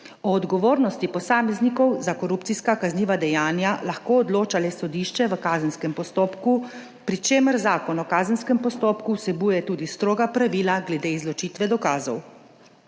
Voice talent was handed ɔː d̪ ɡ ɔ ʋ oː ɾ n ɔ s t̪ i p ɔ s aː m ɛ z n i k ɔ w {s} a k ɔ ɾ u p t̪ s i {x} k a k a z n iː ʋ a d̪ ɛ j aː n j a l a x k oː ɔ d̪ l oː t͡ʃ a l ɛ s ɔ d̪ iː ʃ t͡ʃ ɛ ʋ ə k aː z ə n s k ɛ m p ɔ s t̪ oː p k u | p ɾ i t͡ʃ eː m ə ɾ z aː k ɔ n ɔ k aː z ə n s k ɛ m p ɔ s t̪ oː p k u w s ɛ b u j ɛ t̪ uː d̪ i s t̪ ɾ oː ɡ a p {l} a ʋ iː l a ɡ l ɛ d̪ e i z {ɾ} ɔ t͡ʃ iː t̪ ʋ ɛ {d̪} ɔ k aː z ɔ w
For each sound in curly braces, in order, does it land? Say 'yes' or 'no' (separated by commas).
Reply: no, no, no, no, yes